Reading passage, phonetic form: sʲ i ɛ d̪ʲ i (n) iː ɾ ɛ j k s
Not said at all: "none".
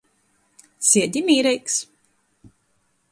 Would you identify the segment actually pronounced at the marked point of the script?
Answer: m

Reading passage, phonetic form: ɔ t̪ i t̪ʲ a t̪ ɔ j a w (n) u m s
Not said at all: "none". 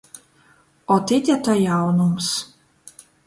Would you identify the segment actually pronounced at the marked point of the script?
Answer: n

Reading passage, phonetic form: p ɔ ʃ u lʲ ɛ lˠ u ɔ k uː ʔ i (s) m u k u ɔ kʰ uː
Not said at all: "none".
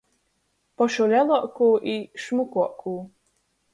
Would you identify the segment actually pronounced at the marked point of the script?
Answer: ʃ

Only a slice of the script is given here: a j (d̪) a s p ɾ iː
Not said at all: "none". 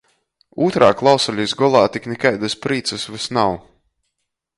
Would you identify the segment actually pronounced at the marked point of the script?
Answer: d̪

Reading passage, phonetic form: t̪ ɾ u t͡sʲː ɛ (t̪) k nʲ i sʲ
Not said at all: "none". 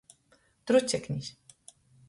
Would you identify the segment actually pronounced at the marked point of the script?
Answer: none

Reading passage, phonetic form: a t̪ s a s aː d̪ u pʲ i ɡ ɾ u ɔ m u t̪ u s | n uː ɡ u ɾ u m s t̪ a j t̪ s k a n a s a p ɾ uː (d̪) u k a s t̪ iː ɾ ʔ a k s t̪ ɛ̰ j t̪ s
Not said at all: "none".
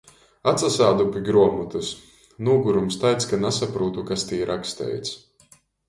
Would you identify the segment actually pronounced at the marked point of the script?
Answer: t̪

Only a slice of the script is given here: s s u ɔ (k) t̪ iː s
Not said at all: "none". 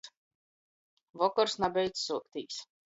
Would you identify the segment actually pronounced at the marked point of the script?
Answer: k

